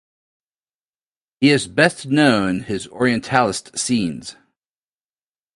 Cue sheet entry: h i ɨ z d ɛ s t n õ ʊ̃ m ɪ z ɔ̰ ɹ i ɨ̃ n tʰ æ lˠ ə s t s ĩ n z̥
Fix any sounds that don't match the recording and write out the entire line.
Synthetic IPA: h i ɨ z b ɛ s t n õ ʊ̃ n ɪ z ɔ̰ ɹ i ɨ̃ n tʰ æ lˠ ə s t s ĩ n z̥